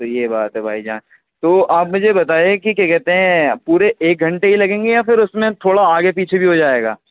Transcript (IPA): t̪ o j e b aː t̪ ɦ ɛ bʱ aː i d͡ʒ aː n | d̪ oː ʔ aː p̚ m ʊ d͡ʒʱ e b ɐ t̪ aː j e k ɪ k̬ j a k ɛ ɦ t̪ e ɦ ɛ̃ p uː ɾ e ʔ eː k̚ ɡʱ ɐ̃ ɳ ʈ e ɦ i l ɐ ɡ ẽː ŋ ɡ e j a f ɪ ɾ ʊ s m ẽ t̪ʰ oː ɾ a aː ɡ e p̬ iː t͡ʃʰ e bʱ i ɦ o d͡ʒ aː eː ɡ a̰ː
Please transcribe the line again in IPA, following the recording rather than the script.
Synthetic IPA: t̪ o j e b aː t̪ ɦ ɛ bʱ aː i d͡ʒ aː n | t̪ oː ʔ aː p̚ m ʊ d͡ʒʱ e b ɐ t̪ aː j e k i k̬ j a k ɛ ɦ t̪ e ɦ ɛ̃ p uː ɾ e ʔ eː k̚ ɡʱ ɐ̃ ɳ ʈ e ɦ i l ɐ ɡ ẽː ŋ ɡ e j a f ɪ ɾ ʊ s m ẽ t̪ʰ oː ɽ a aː ɡ e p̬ iː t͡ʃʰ e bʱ i ɦ o d͡ʒ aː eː ɡ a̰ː